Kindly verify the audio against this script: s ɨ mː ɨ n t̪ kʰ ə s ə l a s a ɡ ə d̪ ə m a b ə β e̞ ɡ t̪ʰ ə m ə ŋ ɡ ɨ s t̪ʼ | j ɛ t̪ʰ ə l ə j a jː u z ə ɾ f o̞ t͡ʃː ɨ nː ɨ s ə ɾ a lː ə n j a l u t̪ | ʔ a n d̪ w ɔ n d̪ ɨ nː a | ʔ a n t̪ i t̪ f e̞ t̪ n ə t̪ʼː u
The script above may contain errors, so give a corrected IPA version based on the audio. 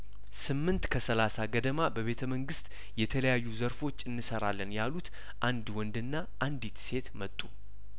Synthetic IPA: s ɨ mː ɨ n t̪ kʰ ə s ə l a s a ɡ ə d̪ ə m a b ə β e̞ t̪ʰ ə m ə ŋ ɡ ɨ s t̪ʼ | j ɛ t̪ʰ ə l ə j a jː u z ə ɾ f o̞ t͡ʃː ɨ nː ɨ s ə ɾ a lː ə n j a l u t̪ | ʔ a n d̪ w ɔ n d̪ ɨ nː a | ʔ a n d̪ i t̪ s e̞ t̪ m ə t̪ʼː u

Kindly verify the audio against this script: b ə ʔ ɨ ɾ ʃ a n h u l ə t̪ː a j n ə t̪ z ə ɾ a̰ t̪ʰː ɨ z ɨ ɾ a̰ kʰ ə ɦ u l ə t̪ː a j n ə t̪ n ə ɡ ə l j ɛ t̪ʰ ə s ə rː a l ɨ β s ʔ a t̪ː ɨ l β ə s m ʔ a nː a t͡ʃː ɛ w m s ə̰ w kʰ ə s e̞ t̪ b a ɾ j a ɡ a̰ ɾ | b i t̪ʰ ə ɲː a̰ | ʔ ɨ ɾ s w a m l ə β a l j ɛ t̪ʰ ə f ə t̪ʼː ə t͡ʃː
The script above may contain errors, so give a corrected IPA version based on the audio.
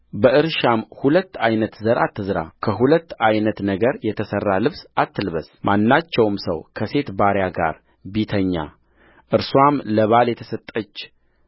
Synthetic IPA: b ə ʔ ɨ ɾ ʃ a m h u l ə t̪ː a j n ə t̪ z ə ɾ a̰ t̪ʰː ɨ z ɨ ɾ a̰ kʰ ə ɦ u l ə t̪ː a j n ə t̪ n ə ɡ ə ɾ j ɛ t̪ʰ ə s ə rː a l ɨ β s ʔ a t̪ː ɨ l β ə s m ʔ a nː a t͡ʃː ɛ w m s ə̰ w kʰ ə s e̞ t̪ b a ɾ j a ɡ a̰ ɾ | b i t̪ʰ ə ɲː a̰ | ʔ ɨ ɾ s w a m l ə β a l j ɛ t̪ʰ ə s ə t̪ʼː ə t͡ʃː

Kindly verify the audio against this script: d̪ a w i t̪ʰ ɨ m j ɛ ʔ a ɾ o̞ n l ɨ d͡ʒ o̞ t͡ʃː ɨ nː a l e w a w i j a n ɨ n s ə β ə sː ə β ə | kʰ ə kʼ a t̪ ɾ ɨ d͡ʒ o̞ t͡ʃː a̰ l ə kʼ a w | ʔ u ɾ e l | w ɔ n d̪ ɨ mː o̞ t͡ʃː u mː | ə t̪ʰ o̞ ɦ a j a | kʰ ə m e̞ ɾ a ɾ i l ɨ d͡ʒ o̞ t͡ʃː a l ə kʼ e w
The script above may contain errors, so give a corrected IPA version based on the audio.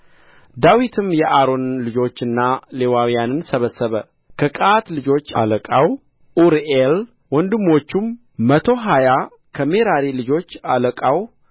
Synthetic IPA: d̪ a w i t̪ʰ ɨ m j ɛ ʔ a ɾ o̞ n l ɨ d͡ʒ o̞ t͡ʃː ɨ nː a l e w a w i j a n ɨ n s ə β ə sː ə β ə | kʰ ə kʼ a t̪ l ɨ d͡ʒ o̞ t͡ʃː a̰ l ə kʼ a w | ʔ u ɾ e l | w ɔ n d̪ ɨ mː o̞ t͡ʃː u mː | ə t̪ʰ o̞ ɦ a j a | kʰ ə m e̞ ɾ a ɾ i l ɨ d͡ʒ o̞ t͡ʃː a l ə kʼ a w

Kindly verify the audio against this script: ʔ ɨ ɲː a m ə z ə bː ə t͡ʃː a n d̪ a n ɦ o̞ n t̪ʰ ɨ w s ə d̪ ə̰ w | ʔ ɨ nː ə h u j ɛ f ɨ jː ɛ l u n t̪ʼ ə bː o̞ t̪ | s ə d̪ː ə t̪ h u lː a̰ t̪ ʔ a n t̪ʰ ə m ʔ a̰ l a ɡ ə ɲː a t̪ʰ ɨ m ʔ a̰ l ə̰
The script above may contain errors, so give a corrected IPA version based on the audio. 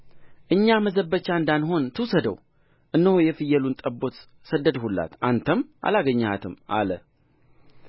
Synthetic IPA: ʔ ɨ ɲː a m ə z ə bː ə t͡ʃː a n d̪ a n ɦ o̞ n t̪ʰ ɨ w s ə d̪ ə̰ w | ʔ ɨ nː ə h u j ɛ f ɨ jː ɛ l u n t̪ʼ ə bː o̞ t̪ | s ə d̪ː ə d̪ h u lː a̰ t̪ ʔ a n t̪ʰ ə m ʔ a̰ l a ɡ ə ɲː a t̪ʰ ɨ m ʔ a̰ l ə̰

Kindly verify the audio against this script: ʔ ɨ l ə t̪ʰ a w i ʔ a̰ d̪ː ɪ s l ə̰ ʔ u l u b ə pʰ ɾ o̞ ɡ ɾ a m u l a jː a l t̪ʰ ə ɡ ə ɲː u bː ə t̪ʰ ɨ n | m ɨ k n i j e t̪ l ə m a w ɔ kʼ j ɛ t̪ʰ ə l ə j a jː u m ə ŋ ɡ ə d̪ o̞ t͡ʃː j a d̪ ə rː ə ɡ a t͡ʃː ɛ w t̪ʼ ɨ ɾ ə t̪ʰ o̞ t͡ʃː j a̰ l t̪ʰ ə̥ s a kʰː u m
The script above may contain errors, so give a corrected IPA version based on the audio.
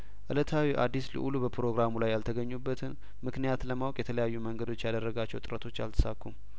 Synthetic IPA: ʔ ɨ l ə t̪ʰ a w i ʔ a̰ d̪ː i s l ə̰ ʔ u l u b ə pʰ ɾ o̞ ɡ ɾ a m u l a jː a l t̪ʰ ə ɡ ə ɲː u bː ə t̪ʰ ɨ n | m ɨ k n i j a t̪ l ə m a w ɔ kʼ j ɛ t̪ʰ ə l ə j a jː u m ə ŋ ɡ ə d̪ o̞ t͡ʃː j a d̪ ə rː ə ɡ a t͡ʃː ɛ w t̪ʼ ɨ ɾ ə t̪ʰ o̞ t͡ʃː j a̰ l t̪ʰ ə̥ s a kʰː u m

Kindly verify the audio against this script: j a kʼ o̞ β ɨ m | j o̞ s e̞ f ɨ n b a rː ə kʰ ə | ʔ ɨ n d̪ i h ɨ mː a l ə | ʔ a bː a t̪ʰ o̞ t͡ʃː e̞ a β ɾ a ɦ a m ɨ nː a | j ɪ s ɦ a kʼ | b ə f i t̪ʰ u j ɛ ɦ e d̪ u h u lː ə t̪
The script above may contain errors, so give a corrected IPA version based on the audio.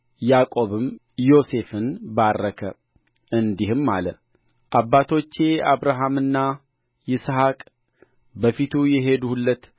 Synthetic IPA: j a kʼ o̞ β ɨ m | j o̞ s e̞ f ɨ n b a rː ə kʰ ə | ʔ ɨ n d̪ i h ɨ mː a l ə | ʔ a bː a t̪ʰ o̞ t͡ʃː e̞ a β ɾ a ɦ a m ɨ nː a | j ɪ s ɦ a kʼ | b ə f i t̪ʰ u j ɛ ɦ e d̪ u h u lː ə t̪

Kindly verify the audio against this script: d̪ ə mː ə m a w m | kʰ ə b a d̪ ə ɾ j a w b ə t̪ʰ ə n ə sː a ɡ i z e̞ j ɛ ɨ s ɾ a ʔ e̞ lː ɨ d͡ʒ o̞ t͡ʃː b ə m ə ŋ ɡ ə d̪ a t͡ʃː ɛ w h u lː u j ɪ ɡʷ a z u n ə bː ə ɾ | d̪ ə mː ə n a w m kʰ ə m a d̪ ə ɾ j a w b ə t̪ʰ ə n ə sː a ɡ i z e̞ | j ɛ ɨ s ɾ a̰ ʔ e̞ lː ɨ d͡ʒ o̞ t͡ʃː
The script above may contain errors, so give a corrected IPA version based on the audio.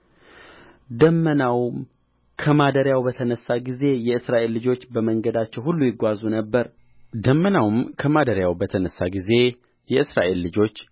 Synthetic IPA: d̪ ə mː ə n a w m | kʰ ə m a d̪ ə ɾ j a w b ə t̪ʰ ə n ə sː a ɡ i z e̞ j ɛ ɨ s ɾ a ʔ e̞ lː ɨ d͡ʒ o̞ t͡ʃː b ə m ə ŋ ɡ ə d̪ a t͡ʃː ɛ w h u lː u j ɪ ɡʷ a z u n ə bː ə ɾ | d̪ ə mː ə n a w m kʰ ə m a d̪ ə ɾ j a w b ə t̪ʰ ə n ə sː a ɡ i z e̞ | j ɛ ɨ s ɾ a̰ ʔ e̞ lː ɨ d͡ʒ o̞ t͡ʃː

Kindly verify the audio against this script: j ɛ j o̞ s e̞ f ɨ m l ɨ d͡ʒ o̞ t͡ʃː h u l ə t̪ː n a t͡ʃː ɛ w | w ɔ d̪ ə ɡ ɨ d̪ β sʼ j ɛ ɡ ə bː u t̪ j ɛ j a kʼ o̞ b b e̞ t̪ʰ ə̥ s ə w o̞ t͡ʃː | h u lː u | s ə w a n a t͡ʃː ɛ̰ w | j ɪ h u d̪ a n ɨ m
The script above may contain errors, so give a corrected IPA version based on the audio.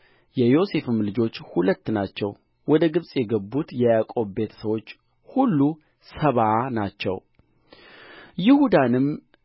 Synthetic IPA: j ɛ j o̞ s e̞ f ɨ m l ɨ d͡ʒ o̞ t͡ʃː h u l ə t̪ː n a t͡ʃː ɛ w | w ɔ d̪ ə ɡ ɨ β sʼ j ɛ ɡ ə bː u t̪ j ɛ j a kʼ o̞ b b e̞ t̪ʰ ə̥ s ə w o̞ t͡ʃː | h u lː u | s ə β a n a t͡ʃː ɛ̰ w | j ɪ h u d̪ a n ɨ m

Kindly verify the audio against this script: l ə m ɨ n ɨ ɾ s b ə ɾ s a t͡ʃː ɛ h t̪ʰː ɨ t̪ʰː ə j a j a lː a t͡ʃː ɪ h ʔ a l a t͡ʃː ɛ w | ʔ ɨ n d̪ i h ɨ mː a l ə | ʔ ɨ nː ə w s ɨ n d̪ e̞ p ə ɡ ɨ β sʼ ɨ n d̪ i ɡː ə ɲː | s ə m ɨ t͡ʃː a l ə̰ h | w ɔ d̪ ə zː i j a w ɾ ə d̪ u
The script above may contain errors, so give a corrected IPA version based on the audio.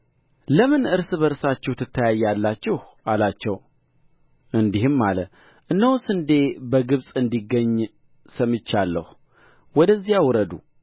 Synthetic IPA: l ə m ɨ n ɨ ɾ s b ə ɾ s a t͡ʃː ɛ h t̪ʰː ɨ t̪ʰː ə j a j a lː a t͡ʃː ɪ h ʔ a l a t͡ʃː ɛ w | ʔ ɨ n d̪ i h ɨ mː a l ə | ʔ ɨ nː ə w s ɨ n d̪ e̞ b ə ɡ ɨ β sʼ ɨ n d̪ i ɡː ə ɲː | s ə m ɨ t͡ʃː a lː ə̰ h | w ɔ d̪ ə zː i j a w ɾ ə d̪ u

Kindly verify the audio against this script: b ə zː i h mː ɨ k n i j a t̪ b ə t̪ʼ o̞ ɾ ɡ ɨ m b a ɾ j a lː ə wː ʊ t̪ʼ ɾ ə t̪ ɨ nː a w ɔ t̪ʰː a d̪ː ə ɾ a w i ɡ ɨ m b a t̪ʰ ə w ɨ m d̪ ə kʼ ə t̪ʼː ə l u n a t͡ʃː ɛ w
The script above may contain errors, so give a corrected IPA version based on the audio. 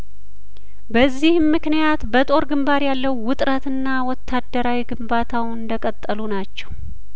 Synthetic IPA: b ə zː i h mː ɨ k n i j a t̪ b ə t̪ʼ o̞ ɾ ɡ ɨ m b a ɾ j a lː ə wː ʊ t̪ʼ ɾ ə t̪ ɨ nː a w ɔ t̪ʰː a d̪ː ə ɾ a w i ɡ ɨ m b a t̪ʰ a w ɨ n d̪ ə kʼ ə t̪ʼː ə l u n a t͡ʃː ɛ w

